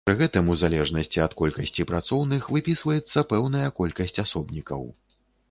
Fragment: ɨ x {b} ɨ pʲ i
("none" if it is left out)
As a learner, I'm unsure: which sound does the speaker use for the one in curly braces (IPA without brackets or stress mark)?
v